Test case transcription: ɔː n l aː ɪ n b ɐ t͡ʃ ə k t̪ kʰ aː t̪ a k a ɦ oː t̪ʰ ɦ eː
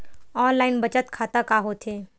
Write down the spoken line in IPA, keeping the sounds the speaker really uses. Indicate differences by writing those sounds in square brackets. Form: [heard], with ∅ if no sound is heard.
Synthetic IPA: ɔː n l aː ɪ n b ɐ t͡ʃ ə [∅] t̪ kʰ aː t̪ a k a ɦ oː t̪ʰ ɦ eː